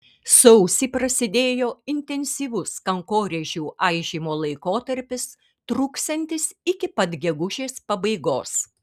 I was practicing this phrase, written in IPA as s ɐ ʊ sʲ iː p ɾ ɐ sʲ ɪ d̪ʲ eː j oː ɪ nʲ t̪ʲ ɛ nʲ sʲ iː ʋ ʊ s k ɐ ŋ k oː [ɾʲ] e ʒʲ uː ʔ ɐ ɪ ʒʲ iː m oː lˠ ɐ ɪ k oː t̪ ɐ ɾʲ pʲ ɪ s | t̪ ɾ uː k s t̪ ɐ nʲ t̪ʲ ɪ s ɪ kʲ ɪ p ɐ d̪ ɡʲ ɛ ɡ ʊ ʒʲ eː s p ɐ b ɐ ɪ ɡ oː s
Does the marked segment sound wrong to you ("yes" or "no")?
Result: no